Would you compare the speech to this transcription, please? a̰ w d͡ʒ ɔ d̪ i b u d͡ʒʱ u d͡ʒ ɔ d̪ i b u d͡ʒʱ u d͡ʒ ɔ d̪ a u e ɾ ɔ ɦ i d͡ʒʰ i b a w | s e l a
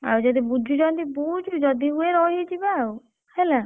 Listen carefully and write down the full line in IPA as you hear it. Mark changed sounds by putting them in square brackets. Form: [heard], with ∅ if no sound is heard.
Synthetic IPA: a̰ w d͡ʒ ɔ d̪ i b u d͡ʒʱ u d͡ʒ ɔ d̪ i b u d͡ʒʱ u d͡ʒ ɔ d̪ [i] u e ɾ ɔ ɦ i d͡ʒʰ i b a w | [h] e l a